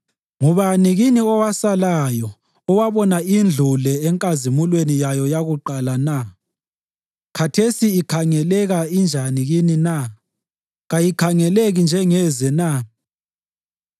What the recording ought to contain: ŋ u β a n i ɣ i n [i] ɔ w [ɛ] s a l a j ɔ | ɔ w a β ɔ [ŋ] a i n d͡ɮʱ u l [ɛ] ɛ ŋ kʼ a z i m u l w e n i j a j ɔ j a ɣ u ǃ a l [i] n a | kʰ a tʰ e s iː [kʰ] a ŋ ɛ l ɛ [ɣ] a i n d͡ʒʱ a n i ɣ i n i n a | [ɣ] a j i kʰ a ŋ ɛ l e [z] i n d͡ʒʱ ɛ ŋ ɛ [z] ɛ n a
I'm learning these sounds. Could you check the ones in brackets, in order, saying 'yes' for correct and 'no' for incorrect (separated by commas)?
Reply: yes, no, no, yes, no, yes, yes, yes, no, yes